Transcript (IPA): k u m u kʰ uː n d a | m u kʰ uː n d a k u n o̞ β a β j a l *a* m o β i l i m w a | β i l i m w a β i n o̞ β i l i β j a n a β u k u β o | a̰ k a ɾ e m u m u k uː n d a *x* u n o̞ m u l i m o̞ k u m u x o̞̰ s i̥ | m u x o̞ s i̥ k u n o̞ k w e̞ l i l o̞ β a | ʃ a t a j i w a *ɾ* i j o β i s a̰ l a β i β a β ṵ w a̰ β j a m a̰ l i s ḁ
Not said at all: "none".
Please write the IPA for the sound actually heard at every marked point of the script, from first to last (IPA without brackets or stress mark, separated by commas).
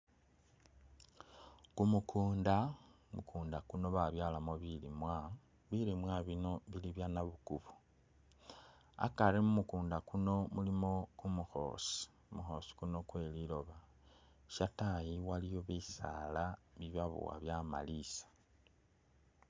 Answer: a, k, l